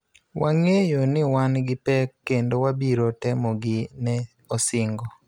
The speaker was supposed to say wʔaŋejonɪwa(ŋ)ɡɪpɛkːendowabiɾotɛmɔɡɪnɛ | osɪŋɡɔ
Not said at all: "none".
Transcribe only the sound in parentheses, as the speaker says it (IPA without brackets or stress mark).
n